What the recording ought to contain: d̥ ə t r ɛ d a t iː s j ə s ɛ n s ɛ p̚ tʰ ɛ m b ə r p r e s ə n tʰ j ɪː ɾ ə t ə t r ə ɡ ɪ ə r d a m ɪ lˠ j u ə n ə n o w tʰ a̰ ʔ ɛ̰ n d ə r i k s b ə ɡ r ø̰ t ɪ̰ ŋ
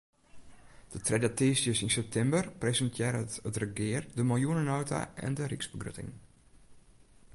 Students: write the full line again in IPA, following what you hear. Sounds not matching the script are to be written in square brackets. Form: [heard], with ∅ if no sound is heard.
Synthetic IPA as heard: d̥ ə t r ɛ d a t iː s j ə s [i] n s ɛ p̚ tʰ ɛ m b ə r p r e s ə n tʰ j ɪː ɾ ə t ə t r ə ɡ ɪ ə r d [ə] m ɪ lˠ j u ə n ə n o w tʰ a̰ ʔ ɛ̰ n d ə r i k s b ə ɡ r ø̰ t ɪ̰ ŋ